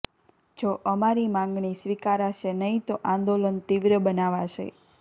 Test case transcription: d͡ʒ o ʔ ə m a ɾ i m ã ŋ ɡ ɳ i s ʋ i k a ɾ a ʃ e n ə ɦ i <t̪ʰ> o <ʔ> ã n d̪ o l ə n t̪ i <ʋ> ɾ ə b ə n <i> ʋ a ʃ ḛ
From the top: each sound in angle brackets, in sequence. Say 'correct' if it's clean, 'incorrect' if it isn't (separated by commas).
incorrect, correct, correct, incorrect